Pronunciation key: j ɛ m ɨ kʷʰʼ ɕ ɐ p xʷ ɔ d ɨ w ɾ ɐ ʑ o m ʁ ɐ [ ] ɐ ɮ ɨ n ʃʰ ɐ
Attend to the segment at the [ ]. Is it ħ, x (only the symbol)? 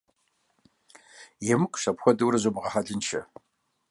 ħ